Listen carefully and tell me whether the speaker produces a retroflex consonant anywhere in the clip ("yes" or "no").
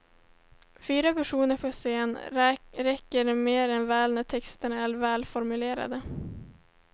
yes